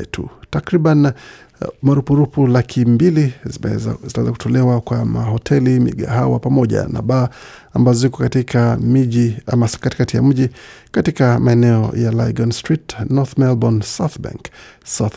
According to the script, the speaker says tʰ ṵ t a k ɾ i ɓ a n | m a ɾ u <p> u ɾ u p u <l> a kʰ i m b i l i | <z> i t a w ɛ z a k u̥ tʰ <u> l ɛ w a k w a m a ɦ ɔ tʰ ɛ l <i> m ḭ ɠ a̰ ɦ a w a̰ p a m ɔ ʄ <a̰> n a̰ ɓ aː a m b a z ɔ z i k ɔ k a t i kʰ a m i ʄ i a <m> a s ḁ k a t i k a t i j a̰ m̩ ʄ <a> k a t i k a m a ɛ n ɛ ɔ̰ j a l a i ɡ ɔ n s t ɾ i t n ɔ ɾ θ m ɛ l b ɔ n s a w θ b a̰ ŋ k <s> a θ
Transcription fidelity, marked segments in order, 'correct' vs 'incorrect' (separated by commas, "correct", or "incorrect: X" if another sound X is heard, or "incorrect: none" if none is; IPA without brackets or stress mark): correct, correct, correct, incorrect: ɔ, correct, correct, correct, incorrect: i, correct